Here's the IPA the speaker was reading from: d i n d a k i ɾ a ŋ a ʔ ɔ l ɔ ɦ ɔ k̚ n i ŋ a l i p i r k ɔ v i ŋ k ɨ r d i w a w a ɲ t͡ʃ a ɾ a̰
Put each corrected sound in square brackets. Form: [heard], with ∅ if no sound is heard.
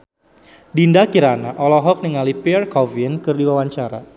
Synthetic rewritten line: d i n d a k i ɾ a [n] a ʔ ɔ l ɔ ɦ ɔ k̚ n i ŋ a l i p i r k ɔ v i [n] k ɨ r d i w a w a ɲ t͡ʃ a ɾ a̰